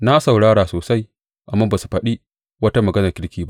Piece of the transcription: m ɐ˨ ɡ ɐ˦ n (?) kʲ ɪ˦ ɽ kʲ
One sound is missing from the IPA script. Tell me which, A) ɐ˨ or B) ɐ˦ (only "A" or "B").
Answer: A